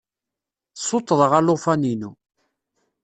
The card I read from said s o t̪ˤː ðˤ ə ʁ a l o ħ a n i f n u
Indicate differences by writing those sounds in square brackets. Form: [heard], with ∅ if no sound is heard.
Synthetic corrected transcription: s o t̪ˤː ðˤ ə ʁ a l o [f] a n i [∅] n u